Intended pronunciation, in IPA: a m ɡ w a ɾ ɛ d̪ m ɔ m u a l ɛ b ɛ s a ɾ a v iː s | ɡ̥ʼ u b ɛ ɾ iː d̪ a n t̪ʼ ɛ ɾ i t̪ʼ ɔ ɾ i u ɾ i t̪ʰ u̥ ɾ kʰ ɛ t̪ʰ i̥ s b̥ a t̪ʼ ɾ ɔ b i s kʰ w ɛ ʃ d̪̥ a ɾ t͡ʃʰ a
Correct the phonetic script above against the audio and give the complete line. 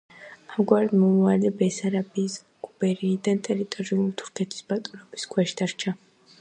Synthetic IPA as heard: a m ɡ w a ɾ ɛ d̪ m ɔ m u a l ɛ b ɛ s a ɾ a b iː s | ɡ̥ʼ u b ɛ ɾ iː d̪ a n t̪ʼ ɛ ɾ i t̪ʼ ɔ ɾ i u l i t̪ʰ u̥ ɾ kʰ ɛ t̪ʰ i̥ s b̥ a t̪ʼ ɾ ɔ b i s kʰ w ɛ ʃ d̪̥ a ɾ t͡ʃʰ a